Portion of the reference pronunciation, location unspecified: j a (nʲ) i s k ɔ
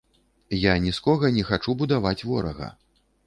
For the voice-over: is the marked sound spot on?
yes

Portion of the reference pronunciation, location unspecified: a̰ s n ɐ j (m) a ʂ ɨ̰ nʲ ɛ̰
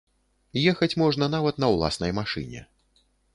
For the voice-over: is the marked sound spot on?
yes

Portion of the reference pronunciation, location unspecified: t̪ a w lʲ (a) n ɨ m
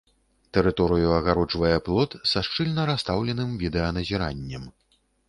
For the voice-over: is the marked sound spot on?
no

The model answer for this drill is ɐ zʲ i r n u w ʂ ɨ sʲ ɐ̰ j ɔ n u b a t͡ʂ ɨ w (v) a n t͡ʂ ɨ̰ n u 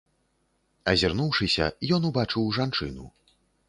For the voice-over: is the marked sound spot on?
no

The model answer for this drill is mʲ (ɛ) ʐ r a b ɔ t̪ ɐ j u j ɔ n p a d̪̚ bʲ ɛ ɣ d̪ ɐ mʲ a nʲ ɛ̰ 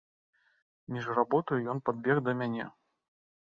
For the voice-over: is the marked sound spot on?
no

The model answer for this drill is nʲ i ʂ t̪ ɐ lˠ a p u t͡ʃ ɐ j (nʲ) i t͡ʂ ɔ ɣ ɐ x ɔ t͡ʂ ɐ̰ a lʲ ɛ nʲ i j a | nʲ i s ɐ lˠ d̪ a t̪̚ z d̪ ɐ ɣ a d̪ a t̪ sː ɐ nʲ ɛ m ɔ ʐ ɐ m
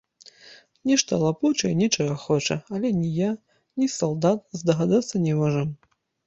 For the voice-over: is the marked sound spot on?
yes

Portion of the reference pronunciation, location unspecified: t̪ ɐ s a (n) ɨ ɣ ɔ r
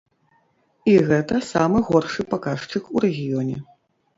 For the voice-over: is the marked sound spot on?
no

